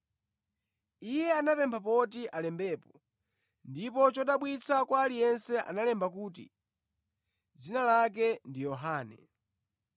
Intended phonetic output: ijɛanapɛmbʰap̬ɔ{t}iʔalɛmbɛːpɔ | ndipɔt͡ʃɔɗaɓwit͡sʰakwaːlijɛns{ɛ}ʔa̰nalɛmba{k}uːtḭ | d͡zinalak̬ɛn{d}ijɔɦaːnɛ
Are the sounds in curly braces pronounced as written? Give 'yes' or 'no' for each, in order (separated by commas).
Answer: yes, yes, yes, yes